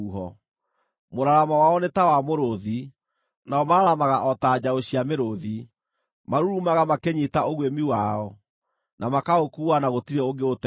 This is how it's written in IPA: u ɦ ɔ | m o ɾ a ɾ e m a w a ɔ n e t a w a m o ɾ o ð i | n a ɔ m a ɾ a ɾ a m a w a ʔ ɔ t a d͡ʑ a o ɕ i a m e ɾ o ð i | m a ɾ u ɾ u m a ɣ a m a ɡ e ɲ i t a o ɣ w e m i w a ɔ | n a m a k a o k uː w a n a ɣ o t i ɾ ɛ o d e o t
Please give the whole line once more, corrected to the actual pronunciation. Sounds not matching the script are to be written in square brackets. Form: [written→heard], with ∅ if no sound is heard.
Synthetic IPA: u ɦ ɔ | m o ɾ a ɾ [e→a] m a w a ɔ n e t a w a m o ɾ o ð i | n a ɔ m a ɾ a ɾ a m a [w→ɣ] a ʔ ɔ t a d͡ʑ a o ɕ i a m e ɾ o ð i | m a ɾ u ɾ u m a ɣ a m a [ɡ→k] e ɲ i t a o ɣ w e m i w a ɔ | n a m a k a o k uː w a n a ɣ o t i ɾ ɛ o [d→ɡ] e o t

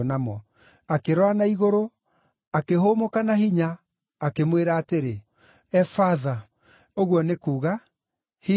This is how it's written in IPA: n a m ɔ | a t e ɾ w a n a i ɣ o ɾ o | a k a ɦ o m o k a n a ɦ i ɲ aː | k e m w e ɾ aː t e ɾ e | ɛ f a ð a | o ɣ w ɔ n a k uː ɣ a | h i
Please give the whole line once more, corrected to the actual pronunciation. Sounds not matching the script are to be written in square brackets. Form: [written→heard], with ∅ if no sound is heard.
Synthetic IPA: n a m ɔ | a [t→k] e ɾ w a n a i ɣ o ɾ o | a k [a→e] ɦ o m o k a n a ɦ i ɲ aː | k e m w e ɾ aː t e ɾ e | ɛ f a ð a | o ɣ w ɔ n [a→e] k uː ɣ a | h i

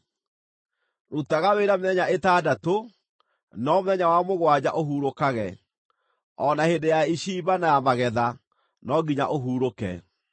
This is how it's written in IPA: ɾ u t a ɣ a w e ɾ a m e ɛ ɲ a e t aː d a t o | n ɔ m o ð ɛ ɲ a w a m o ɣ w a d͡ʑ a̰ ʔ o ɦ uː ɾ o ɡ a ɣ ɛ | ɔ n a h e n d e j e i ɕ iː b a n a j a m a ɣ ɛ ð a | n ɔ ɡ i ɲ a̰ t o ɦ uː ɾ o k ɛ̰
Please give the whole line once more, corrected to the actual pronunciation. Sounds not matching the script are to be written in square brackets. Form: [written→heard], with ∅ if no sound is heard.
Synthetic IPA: ɾ u t a ɣ a w e ɾ a m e ɛ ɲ a e t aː d a t o | n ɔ m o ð ɛ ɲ a w a m o ɣ w a d͡ʑ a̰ ʔ o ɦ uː ɾ o [ɡ→k] a ɣ ɛ | ɔ n a h e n d e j [e→a] i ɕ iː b a n a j a m a ɣ ɛ ð a | n ɔ ɡ i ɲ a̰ [t→ʔ] o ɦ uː ɾ o k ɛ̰

